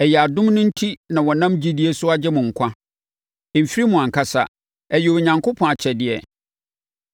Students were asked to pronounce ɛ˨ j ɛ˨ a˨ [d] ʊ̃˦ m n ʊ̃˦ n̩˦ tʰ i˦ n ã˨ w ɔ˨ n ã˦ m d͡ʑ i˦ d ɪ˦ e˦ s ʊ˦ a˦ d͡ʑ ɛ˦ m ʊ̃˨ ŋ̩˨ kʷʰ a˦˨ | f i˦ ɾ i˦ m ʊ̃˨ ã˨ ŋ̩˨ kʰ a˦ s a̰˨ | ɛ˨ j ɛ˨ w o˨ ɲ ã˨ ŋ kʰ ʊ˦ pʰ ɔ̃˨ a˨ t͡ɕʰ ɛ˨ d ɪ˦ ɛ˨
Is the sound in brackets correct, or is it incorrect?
correct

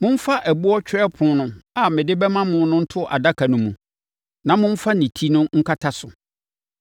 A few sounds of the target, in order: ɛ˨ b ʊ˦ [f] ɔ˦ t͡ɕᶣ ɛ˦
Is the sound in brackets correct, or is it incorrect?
incorrect: none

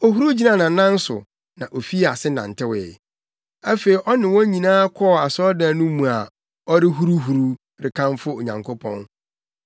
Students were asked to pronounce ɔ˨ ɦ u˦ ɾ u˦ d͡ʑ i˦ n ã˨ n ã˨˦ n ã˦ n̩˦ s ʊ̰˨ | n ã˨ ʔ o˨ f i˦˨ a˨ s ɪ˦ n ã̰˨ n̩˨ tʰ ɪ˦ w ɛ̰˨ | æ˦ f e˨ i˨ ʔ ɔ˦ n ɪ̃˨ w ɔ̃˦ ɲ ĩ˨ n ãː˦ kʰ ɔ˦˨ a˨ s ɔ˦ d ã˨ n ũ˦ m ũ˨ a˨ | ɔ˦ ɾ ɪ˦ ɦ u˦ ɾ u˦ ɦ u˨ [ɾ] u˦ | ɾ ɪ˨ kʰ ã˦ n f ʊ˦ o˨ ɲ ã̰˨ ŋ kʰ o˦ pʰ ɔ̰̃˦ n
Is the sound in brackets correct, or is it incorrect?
correct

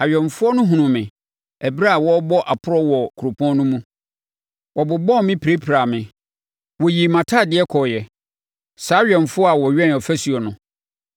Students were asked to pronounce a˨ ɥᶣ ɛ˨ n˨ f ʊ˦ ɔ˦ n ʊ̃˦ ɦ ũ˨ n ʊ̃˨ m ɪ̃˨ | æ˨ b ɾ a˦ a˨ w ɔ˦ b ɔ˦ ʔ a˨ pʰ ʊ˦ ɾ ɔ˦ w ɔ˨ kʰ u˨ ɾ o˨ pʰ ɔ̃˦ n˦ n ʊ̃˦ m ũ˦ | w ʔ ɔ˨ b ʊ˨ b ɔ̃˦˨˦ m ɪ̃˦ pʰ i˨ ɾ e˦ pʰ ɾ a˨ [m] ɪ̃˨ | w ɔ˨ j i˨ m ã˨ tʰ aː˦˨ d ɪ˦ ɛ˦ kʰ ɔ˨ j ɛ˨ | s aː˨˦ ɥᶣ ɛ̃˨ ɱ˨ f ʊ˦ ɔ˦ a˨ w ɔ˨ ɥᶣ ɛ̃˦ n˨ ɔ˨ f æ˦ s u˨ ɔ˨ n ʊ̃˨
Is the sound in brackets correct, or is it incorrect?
correct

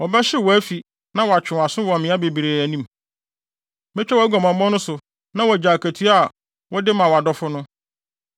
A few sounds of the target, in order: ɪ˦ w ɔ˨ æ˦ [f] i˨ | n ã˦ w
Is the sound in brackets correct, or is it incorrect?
correct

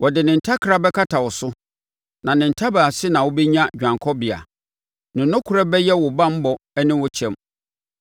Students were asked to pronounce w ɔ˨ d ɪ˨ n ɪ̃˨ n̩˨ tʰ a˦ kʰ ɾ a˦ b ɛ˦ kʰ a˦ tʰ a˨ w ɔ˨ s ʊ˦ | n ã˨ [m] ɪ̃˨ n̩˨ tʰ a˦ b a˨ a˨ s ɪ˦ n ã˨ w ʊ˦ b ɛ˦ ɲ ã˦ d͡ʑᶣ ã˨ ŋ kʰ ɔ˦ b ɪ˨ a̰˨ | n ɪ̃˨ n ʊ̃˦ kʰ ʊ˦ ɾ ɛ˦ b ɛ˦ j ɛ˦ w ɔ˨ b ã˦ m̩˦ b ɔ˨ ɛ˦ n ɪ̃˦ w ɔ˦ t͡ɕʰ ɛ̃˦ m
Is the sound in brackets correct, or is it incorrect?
incorrect: n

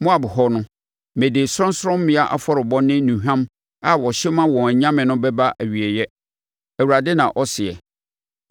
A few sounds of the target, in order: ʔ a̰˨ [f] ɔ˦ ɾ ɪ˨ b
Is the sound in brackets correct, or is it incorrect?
correct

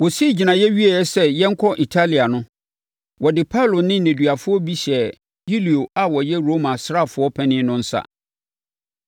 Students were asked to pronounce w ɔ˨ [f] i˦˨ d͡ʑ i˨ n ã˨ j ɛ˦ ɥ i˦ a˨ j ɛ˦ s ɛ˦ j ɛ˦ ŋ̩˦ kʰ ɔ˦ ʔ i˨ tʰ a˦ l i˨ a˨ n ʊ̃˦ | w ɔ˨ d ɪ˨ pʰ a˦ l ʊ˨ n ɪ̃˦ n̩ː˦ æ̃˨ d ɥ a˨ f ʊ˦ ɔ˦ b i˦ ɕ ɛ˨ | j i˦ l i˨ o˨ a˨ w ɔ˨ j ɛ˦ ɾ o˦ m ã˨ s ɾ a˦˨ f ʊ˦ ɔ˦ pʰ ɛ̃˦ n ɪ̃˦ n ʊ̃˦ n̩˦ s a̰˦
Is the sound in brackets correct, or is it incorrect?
incorrect: s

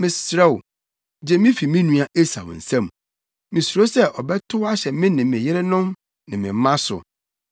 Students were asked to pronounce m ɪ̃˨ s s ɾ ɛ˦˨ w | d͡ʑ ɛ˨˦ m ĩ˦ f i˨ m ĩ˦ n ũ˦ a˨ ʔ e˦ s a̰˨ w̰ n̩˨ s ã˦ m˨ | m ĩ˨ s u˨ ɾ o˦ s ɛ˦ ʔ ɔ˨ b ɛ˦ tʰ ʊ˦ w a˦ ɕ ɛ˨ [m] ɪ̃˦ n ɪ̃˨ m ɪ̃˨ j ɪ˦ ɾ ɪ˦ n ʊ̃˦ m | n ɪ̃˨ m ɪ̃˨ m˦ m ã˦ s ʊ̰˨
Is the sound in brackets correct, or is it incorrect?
correct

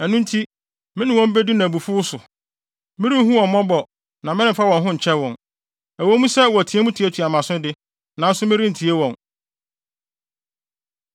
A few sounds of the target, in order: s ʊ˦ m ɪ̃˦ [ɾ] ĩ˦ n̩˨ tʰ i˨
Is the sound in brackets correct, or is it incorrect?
correct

